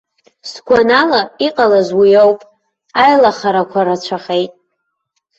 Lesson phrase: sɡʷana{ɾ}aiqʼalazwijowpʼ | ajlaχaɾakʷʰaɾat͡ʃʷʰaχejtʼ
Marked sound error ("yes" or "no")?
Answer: yes